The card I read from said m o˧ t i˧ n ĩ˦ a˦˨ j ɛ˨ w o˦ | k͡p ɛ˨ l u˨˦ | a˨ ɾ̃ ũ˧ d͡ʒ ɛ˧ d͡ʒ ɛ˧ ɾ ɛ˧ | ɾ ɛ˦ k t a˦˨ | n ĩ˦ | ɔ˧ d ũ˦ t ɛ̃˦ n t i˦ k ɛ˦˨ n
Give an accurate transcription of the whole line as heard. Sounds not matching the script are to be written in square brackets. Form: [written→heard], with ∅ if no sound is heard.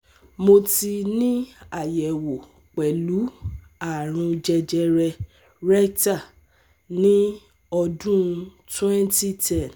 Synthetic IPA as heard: m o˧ t i˧ n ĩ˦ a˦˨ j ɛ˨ w [o˦→o˨] | k͡p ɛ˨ l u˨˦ | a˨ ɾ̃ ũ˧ d͡ʒ ɛ˧ d͡ʒ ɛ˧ ɾ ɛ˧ | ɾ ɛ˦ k t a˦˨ | n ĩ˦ | ɔ˧ d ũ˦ t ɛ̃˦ n t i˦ [k→t] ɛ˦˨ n